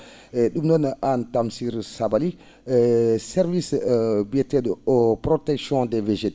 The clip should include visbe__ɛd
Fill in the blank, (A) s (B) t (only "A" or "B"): B